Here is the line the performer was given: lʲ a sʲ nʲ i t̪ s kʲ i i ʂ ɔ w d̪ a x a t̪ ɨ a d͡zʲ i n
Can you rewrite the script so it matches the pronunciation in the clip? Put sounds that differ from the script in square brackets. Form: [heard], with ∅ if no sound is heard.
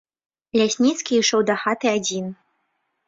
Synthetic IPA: lʲ a sʲ nʲ i t̪ s kʲ i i ʂ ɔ w d̪ a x a t̪ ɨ a d͡zʲ i n